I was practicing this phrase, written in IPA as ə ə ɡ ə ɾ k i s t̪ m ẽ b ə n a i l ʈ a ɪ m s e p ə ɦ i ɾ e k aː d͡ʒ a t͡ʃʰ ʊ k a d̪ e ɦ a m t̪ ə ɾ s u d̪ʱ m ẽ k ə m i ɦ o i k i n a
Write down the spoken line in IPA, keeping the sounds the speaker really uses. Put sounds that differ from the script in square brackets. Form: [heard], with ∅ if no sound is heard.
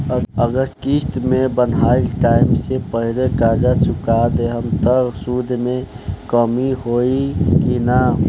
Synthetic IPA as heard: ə ə ɡ ə ɾ k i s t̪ m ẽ b ə n a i l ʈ a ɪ m s e p ə ɦ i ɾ e k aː d͡ʒ a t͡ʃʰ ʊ k a d̪ e ɦ [ə] m t̪ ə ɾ s u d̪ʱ m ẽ k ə m i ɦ o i k i n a